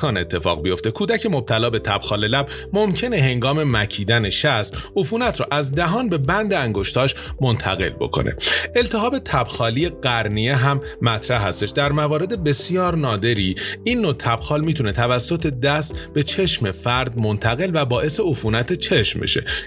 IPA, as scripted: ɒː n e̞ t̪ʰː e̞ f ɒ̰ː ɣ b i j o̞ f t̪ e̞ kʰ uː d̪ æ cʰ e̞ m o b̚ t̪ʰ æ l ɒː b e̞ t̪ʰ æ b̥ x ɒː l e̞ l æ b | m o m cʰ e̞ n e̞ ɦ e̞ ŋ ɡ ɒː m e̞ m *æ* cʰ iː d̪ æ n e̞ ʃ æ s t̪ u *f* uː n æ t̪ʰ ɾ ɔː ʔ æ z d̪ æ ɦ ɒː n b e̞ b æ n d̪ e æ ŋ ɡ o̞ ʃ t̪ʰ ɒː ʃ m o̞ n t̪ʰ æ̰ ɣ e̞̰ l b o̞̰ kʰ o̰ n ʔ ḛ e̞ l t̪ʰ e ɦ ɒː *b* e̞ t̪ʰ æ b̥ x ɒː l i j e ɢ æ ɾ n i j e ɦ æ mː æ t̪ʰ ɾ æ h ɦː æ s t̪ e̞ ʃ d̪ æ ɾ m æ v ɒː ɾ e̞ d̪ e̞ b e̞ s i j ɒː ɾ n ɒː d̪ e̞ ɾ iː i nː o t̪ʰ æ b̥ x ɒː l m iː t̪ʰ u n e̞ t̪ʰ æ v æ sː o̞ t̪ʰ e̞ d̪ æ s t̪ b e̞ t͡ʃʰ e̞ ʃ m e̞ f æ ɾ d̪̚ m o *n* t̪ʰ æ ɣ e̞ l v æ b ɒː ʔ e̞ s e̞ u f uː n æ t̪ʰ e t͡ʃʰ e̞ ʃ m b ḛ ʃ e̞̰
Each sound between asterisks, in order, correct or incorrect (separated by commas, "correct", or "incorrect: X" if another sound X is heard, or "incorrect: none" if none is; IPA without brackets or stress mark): correct, correct, correct, correct